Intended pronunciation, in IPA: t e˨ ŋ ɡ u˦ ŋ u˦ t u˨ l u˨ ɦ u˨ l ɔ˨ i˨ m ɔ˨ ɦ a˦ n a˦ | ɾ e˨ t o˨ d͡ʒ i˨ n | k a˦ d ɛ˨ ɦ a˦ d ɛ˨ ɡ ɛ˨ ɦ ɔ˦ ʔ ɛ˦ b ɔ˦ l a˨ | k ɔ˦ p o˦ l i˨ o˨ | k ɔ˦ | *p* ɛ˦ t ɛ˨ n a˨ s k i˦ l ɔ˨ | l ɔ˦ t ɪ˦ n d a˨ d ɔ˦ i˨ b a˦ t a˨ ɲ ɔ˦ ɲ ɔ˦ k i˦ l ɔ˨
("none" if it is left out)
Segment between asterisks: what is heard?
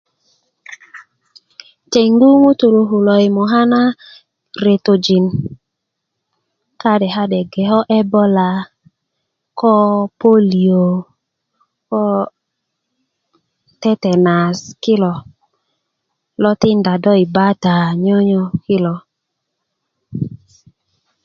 t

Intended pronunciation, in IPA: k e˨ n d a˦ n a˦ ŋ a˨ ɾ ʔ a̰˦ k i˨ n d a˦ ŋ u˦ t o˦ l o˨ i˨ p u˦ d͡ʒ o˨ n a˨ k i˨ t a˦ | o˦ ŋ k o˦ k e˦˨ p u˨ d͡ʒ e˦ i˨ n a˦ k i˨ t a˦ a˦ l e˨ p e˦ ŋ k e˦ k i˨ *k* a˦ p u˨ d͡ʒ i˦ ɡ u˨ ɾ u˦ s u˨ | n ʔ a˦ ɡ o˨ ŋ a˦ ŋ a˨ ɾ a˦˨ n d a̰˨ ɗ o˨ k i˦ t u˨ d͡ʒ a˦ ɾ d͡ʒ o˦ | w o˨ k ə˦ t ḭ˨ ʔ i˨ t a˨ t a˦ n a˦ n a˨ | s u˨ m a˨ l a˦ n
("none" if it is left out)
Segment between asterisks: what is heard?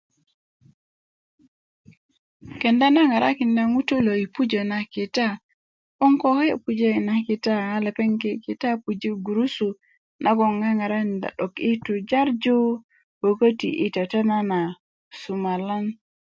t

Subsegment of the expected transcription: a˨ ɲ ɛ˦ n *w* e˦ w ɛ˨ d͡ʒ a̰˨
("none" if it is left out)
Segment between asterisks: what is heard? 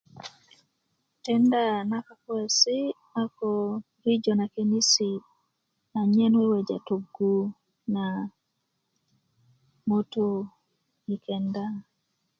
w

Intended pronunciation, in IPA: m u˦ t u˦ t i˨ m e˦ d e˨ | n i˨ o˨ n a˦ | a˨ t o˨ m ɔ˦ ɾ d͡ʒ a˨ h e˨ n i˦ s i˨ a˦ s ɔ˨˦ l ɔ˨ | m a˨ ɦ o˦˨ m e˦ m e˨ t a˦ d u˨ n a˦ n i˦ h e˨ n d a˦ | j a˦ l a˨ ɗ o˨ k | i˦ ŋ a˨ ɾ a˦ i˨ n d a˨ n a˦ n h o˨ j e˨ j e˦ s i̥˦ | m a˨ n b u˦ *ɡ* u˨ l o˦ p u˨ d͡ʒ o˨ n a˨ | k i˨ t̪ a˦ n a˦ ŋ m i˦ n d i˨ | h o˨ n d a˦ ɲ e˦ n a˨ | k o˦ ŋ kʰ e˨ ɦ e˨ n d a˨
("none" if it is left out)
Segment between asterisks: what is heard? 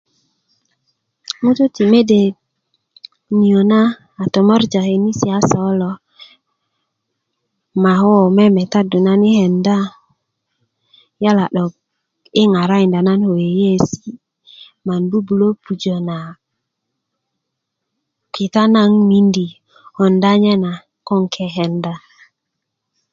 b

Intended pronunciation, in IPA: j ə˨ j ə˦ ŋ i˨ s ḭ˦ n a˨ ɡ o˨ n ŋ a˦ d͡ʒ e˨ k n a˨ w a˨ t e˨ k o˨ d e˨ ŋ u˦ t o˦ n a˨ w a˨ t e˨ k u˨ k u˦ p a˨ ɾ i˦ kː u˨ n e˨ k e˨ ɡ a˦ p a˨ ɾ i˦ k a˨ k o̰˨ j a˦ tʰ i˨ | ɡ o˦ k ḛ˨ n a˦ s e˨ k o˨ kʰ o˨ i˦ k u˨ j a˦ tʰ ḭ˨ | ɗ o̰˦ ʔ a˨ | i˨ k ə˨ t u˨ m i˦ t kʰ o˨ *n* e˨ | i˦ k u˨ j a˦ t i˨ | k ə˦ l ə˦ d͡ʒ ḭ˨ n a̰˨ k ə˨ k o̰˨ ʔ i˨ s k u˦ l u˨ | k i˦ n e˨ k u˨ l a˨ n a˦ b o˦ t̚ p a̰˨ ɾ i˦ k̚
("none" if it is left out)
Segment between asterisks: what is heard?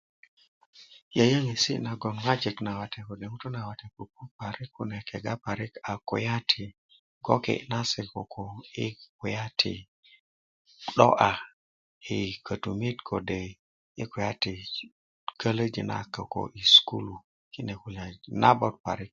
d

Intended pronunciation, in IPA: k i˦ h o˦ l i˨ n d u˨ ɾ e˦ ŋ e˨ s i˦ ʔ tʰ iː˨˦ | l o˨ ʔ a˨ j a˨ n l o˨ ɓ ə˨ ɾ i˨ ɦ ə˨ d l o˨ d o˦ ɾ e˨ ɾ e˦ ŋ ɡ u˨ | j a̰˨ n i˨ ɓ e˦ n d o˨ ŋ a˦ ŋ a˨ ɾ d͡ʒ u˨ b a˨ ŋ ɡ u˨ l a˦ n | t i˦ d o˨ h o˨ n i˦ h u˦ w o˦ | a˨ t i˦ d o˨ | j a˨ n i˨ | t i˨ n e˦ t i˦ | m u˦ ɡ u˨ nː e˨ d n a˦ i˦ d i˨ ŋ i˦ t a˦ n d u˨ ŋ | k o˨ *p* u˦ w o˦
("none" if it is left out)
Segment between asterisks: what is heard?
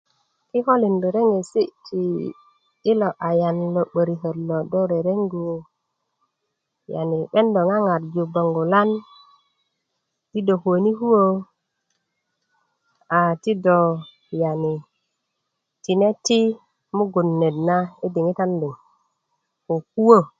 k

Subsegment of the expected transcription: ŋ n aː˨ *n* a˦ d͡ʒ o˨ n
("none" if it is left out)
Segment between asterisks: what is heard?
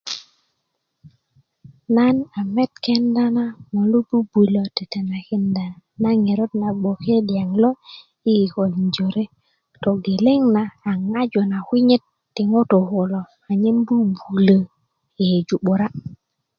ŋ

